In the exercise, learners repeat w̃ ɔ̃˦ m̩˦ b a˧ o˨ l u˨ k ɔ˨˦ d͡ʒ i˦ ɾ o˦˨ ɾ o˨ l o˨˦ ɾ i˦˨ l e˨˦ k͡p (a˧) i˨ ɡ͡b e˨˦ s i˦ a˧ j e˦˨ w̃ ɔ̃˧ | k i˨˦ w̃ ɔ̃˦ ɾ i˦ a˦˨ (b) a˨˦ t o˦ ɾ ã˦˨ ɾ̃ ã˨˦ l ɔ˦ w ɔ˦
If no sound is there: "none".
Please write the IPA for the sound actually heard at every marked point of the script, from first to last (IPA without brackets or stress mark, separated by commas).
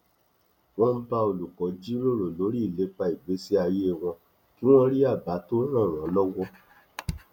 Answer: a˧, b